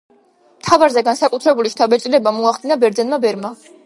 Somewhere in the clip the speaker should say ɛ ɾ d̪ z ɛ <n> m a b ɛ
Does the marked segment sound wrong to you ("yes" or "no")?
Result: no